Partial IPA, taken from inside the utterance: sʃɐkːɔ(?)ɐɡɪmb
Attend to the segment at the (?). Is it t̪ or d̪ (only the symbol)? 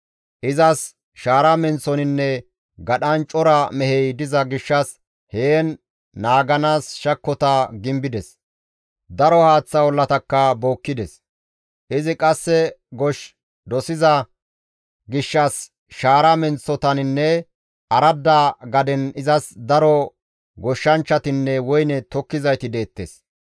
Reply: t̪